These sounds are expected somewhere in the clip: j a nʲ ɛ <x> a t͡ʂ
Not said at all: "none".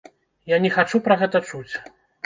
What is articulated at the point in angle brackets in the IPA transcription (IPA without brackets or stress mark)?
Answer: x